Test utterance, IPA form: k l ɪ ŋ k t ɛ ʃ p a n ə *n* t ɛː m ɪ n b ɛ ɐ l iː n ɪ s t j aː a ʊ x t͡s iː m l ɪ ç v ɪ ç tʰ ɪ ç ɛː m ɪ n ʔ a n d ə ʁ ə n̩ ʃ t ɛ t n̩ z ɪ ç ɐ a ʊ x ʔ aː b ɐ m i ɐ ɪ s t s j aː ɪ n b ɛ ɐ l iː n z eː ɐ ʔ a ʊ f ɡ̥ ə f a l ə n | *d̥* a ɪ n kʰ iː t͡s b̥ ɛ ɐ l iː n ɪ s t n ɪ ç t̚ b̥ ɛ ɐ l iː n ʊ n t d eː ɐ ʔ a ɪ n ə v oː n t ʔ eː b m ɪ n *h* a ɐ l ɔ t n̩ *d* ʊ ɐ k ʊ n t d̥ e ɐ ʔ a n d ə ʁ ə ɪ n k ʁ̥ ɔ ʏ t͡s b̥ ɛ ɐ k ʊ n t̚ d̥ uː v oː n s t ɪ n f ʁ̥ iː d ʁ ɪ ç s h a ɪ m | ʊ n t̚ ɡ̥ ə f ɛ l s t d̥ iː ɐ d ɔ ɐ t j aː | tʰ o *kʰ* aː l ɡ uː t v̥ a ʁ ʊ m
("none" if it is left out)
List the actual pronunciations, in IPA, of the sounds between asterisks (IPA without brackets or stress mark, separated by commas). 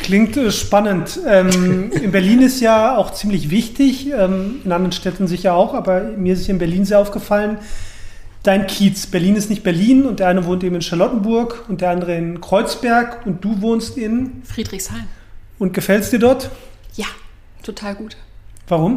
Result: n, d̥, ʃ, b, tʰ